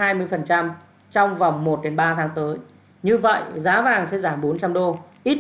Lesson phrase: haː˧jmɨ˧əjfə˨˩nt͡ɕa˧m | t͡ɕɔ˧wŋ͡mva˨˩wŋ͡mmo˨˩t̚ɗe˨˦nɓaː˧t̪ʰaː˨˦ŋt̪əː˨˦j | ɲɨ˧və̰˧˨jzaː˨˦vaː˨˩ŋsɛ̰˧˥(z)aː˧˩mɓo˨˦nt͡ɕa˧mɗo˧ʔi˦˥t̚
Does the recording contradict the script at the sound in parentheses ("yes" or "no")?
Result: no